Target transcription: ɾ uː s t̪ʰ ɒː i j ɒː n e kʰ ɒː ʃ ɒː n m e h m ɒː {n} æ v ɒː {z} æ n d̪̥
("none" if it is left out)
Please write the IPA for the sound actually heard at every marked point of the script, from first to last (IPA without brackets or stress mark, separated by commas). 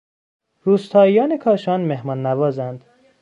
nː, z